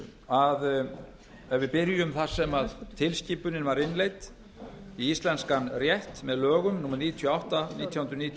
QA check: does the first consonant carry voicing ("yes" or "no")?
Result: yes